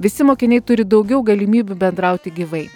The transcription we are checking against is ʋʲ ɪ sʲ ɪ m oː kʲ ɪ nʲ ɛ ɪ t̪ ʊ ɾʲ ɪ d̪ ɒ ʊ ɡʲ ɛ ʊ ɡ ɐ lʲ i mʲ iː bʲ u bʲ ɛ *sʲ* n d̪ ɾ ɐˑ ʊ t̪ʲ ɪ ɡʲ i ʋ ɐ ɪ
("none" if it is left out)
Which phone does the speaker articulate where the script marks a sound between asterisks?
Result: none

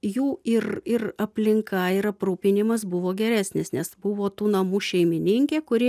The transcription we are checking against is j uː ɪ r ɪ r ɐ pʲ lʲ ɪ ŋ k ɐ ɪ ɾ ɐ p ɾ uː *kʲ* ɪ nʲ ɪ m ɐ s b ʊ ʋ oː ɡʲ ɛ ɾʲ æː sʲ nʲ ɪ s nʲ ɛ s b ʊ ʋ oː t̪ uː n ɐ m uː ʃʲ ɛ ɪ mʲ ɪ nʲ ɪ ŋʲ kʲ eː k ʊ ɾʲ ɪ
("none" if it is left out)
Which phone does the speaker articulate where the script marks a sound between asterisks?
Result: pʲ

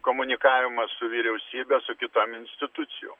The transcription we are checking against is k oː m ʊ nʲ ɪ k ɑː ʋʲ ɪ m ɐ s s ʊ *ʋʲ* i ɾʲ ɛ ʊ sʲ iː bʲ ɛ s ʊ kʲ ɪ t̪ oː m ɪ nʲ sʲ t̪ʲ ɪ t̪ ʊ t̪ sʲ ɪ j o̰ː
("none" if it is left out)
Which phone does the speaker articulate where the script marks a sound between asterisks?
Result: ʋʲ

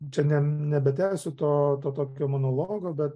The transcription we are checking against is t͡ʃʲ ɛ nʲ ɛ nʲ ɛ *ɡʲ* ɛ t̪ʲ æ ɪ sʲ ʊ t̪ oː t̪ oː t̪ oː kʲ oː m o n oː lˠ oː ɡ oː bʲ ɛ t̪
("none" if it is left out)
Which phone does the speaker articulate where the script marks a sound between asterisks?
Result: bʲ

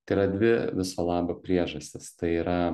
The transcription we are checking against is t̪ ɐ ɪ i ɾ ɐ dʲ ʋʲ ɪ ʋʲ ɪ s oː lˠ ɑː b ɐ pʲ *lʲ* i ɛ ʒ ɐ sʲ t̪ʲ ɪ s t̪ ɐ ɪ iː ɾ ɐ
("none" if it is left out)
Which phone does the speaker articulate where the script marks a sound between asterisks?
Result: ɾʲ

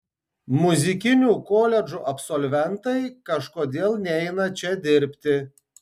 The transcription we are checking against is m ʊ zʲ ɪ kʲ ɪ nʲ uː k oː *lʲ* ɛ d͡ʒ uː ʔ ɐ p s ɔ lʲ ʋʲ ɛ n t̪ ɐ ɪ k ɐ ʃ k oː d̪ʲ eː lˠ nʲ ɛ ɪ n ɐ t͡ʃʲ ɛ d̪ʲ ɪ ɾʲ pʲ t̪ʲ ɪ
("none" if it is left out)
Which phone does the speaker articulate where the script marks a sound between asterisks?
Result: lʲ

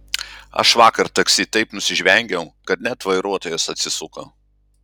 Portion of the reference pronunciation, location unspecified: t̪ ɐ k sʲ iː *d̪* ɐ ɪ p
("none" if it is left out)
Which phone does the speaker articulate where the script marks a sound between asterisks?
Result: t̪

